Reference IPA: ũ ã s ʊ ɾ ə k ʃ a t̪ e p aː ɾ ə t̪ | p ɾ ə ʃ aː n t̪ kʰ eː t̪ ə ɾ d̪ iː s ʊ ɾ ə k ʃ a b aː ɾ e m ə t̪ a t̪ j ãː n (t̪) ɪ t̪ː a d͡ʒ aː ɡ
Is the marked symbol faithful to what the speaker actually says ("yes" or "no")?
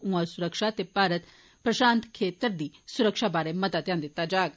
no